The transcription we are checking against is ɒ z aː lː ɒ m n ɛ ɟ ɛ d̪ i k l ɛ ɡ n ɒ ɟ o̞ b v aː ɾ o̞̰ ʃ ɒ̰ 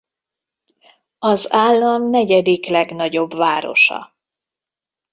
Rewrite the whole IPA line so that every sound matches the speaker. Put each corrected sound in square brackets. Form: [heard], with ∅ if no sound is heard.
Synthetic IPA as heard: ɒ z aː lː ɒ m n ɛ ɟ ɛ d̪ i k l ɛ ɡ n ɒ ɟ o̞ b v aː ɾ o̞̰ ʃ ɒ̰